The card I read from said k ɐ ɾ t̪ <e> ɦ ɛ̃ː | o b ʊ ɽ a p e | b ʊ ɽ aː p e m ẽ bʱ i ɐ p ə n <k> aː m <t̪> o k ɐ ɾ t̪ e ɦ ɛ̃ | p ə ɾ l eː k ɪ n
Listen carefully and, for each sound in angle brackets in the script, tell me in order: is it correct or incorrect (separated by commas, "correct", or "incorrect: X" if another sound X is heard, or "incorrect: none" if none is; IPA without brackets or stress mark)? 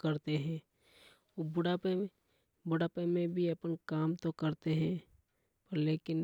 correct, correct, correct